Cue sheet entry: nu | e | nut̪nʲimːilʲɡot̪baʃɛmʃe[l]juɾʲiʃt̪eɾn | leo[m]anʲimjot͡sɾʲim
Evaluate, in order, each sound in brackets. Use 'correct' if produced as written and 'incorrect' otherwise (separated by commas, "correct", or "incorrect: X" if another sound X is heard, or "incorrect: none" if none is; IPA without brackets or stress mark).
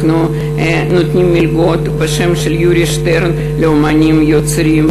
correct, correct